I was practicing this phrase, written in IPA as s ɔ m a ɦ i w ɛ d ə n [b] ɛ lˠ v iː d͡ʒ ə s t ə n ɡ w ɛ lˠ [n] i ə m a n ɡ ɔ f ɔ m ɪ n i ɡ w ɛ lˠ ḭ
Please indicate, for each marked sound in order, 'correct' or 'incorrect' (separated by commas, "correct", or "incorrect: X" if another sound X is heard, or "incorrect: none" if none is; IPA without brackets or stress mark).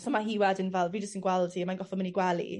incorrect: v, incorrect: d